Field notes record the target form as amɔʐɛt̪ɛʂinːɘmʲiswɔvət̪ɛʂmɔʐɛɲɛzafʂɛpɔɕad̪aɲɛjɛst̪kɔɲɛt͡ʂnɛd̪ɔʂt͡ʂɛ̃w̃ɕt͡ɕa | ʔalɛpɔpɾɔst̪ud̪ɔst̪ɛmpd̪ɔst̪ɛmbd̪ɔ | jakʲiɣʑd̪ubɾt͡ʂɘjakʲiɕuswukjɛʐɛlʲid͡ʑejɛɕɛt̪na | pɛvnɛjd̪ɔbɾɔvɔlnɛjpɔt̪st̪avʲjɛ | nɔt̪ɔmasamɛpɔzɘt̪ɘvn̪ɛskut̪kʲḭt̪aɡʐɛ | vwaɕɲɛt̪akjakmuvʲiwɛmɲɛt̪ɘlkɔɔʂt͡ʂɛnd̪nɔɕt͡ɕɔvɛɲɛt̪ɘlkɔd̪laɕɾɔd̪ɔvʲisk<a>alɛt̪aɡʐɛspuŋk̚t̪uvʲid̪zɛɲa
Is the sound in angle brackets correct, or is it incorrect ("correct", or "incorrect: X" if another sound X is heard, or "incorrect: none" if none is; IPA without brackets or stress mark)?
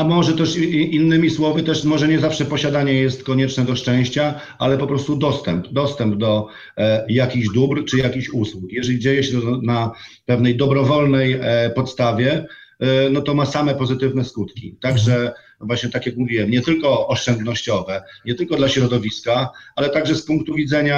correct